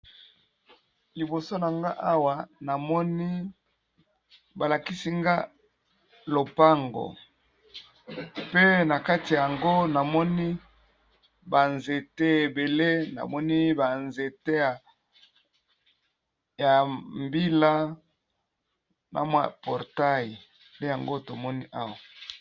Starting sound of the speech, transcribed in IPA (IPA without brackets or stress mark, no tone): l